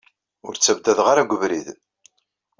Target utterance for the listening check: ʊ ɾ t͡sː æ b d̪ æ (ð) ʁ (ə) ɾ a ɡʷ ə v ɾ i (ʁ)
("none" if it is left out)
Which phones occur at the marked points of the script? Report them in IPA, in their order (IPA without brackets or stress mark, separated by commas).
ð, a, ð